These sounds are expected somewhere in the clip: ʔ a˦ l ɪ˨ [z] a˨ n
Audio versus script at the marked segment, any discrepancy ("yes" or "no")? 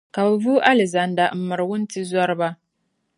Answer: no